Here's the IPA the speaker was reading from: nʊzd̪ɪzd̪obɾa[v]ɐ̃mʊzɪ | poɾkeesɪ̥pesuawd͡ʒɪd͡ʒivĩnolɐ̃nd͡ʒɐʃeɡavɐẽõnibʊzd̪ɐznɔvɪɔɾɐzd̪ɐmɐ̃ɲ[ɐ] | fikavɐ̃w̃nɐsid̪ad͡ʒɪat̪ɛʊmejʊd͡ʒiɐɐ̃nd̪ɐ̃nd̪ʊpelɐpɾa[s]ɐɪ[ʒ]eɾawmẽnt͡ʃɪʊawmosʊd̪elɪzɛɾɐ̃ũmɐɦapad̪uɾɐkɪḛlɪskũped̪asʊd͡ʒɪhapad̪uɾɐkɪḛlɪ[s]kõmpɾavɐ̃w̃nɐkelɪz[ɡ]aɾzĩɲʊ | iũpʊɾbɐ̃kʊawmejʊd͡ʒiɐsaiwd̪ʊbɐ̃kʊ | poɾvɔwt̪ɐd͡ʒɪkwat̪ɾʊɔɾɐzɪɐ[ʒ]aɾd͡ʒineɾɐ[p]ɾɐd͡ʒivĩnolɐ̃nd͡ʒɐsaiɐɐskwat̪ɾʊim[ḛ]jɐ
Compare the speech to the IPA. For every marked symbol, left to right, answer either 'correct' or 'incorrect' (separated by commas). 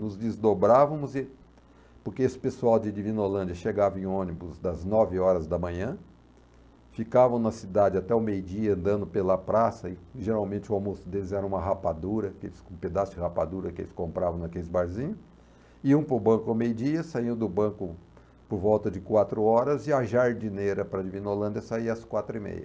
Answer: correct, incorrect, correct, correct, correct, incorrect, correct, correct, correct